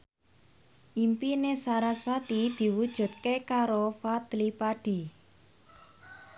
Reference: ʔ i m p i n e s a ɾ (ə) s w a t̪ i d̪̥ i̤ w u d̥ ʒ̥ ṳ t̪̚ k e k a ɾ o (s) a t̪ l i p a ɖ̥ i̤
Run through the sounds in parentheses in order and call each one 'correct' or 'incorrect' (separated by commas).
incorrect, incorrect